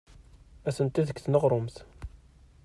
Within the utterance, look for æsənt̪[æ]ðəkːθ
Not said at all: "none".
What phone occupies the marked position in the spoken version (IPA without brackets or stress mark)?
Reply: i